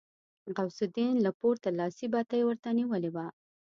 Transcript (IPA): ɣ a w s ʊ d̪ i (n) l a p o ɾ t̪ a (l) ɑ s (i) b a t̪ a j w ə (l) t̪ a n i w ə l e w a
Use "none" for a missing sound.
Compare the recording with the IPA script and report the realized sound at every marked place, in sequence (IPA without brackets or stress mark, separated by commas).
n, l, i, ɾ